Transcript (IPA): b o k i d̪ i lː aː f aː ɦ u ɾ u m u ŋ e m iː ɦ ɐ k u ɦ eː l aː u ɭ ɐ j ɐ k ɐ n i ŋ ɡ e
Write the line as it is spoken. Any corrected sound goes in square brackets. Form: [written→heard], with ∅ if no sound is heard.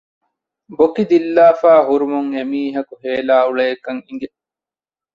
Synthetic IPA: b o k i d̪ i lː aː f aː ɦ u ɾ u m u ŋ e m iː ɦ ɐ k u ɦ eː l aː u ɭ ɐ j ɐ k ɐ [n→ŋ] i ŋ ɡ e